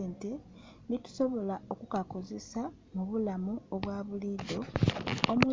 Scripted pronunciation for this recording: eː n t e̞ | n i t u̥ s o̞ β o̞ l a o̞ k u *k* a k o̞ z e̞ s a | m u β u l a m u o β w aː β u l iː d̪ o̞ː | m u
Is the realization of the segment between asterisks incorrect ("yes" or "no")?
no